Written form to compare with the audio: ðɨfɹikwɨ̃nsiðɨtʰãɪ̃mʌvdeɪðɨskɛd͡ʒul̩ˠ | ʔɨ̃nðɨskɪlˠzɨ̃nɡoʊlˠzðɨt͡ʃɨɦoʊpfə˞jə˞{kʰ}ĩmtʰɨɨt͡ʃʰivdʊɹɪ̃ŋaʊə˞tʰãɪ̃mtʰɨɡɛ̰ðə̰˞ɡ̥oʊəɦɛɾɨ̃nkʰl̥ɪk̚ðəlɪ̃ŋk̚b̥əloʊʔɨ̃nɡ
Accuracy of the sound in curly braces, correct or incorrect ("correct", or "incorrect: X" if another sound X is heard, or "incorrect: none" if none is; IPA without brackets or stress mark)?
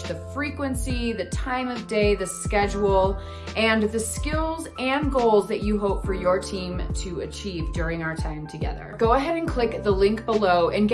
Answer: incorrect: tʰ